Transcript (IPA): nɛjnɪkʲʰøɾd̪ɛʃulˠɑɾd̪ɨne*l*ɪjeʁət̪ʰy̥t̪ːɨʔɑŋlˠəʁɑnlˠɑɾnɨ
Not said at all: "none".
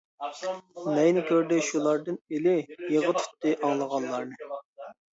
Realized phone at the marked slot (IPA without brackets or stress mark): l